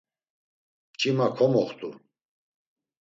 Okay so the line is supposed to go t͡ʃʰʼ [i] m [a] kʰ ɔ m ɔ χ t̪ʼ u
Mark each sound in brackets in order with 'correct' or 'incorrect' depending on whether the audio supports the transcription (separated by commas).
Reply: correct, correct